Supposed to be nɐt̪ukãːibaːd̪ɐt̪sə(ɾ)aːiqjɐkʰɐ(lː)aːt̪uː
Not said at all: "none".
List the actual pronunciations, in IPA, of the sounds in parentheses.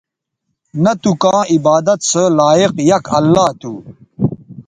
l, lː

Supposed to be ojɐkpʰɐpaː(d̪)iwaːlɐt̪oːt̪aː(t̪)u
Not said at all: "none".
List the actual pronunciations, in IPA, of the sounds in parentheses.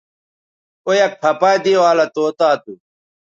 d̪, t̪

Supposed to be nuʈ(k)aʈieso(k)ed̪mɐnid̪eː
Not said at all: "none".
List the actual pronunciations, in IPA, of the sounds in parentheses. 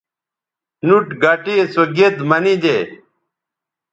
ɡ, ɡ

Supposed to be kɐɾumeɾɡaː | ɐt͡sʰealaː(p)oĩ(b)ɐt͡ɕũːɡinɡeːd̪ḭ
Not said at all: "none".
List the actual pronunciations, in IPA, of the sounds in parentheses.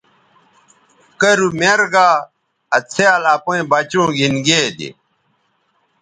p, b

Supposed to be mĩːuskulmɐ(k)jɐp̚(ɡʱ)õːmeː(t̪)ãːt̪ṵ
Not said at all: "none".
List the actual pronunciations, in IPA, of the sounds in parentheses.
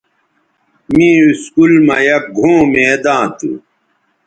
none, ɡʱ, d̪

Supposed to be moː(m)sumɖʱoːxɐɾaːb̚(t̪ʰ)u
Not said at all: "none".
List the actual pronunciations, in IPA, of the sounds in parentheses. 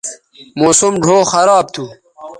none, t̪ʰ

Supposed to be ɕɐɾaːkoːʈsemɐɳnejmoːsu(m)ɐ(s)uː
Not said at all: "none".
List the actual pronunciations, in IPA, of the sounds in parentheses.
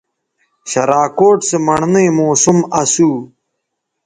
m, s

